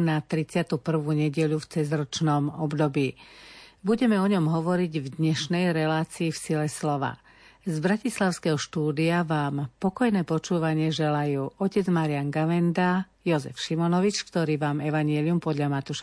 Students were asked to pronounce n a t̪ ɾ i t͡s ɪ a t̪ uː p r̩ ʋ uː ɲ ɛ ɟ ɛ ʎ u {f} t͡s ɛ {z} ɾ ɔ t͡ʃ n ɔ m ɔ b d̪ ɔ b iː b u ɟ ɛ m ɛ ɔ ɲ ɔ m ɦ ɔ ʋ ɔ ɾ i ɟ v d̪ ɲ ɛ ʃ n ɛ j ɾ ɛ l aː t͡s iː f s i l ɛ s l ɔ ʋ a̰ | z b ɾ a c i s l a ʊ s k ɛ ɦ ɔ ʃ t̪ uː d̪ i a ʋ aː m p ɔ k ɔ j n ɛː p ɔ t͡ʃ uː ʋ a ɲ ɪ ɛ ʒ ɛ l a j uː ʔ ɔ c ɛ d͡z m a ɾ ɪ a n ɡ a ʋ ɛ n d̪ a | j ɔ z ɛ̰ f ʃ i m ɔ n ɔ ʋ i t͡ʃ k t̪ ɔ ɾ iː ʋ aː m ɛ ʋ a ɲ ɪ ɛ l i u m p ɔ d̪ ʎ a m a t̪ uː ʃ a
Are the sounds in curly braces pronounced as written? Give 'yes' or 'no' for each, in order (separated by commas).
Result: yes, yes